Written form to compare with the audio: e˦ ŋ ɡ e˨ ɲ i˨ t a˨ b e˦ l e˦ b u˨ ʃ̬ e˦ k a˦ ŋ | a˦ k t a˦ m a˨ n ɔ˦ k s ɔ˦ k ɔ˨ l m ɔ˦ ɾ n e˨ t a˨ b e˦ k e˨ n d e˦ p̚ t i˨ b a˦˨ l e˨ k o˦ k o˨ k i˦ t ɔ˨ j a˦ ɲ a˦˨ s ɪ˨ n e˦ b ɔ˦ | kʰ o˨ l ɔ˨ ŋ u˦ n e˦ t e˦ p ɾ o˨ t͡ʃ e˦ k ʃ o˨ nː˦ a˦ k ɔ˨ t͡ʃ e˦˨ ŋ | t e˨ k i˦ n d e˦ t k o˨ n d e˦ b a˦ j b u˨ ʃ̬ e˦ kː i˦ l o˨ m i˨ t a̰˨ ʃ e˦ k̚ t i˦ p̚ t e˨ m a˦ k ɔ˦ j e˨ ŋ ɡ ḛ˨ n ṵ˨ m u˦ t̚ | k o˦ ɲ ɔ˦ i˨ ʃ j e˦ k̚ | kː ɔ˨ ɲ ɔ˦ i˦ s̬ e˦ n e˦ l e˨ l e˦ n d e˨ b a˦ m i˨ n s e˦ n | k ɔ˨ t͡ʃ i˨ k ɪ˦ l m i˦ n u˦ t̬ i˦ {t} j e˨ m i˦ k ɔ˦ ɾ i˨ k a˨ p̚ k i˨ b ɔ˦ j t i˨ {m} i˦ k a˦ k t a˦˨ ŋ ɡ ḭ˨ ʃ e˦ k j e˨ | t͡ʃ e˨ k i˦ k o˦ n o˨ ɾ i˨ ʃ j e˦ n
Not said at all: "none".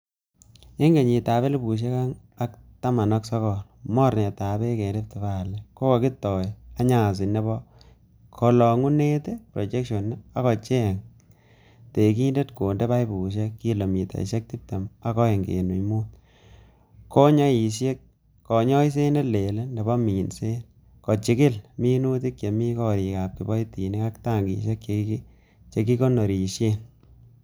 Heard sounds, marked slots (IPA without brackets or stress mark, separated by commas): k, n